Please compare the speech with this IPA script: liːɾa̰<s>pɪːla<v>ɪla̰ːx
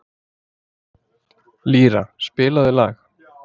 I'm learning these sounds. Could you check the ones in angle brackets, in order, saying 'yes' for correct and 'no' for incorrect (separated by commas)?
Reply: yes, no